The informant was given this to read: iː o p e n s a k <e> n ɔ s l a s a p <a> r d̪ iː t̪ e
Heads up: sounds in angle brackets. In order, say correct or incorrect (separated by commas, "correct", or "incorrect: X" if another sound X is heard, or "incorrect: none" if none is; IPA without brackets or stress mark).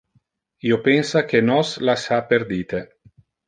correct, incorrect: e